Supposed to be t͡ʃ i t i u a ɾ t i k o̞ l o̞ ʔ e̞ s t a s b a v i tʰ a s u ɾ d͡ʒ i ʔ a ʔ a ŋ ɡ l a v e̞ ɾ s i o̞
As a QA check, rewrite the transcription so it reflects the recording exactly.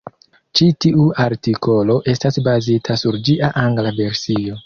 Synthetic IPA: t͡ʃ i t i u a ɾ t i k o̞ l o̞ ʔ e̞ s t a s b a z i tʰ a s u ɾ d͡ʒ i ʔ a ʔ a ŋ ɡ l a v e̞ ɾ s i o̞